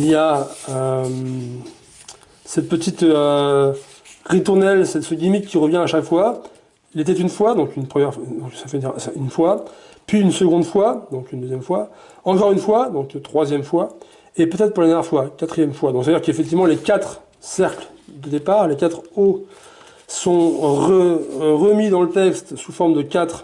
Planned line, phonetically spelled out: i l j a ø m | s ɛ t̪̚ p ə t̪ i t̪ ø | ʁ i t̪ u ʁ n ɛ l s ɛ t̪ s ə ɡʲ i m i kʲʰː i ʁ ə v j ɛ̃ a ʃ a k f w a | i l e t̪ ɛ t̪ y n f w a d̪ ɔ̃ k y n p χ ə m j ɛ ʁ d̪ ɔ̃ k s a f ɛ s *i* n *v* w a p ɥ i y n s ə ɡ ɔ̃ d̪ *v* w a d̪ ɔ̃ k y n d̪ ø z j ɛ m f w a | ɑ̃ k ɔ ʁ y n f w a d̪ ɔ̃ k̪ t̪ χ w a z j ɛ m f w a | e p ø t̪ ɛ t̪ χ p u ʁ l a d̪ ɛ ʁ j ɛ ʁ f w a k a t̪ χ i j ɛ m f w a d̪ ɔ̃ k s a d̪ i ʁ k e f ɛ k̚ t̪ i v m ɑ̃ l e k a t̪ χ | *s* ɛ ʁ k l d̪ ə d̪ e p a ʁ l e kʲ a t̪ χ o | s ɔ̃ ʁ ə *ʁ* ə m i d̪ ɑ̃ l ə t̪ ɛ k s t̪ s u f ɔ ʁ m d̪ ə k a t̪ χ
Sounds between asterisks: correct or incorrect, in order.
incorrect: y, incorrect: f, incorrect: f, correct, correct

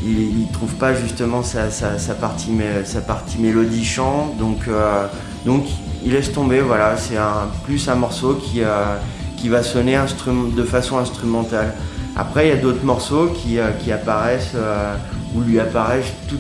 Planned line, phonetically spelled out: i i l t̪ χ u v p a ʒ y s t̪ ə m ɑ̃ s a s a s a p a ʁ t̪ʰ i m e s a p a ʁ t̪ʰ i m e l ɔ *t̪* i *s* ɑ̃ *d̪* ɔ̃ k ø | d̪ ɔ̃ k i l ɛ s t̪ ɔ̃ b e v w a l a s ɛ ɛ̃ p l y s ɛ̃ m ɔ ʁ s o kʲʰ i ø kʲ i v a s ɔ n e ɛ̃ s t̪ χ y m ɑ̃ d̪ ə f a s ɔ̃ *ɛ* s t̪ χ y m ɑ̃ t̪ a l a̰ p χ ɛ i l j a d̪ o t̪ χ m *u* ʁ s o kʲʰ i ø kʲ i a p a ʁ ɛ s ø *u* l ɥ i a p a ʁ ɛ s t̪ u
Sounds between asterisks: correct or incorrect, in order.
incorrect: d̪, incorrect: ʃ, correct, incorrect: ɛ̃, incorrect: ɔ, correct

